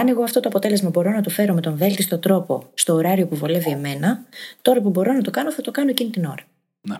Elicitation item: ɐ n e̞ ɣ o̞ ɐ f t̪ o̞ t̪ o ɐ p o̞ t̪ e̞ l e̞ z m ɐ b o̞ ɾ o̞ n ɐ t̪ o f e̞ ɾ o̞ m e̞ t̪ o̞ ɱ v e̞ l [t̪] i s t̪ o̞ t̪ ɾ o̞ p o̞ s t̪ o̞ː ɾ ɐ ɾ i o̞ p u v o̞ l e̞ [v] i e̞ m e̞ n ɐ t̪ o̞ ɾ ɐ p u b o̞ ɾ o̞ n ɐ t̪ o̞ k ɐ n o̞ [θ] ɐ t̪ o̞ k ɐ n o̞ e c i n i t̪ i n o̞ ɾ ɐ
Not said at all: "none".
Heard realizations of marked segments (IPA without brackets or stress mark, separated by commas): t̪, v, θ